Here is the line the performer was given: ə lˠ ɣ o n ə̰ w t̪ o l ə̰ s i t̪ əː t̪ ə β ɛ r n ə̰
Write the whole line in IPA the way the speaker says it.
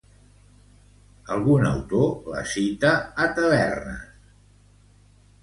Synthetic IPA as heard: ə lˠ ɣ u n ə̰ w t̪ o l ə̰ s i t̪ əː t̪ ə β ɛ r n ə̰